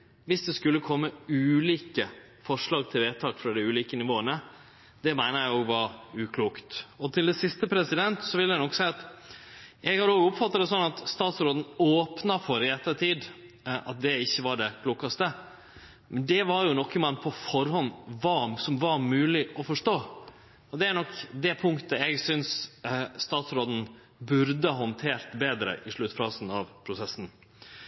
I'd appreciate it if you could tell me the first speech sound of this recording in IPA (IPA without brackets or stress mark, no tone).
ʋ